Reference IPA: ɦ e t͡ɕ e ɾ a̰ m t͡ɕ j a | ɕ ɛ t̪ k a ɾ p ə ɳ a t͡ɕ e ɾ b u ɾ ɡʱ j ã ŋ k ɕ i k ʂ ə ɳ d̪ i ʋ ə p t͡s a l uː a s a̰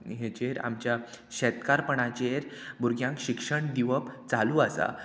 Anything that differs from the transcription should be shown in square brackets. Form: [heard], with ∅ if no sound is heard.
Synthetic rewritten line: ɦ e t͡ɕ e ɾ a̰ m t͡ɕ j a | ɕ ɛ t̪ k a ɾ p ə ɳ a t͡ɕ e ɾ b u ɾ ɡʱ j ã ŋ k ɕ i k ʂ ə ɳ d̪ i ʋ ə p t͡s a l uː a s a̰